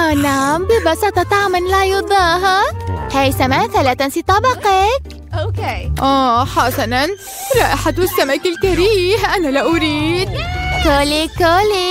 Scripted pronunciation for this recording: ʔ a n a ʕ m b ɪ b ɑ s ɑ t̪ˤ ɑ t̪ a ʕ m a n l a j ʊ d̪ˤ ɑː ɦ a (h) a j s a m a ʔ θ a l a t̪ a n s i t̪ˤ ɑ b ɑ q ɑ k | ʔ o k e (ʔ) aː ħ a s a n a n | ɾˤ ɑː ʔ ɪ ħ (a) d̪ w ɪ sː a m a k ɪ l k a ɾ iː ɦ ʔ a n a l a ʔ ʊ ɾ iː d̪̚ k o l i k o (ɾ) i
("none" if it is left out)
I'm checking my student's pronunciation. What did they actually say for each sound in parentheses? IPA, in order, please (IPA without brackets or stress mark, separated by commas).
h, ʔ, a, l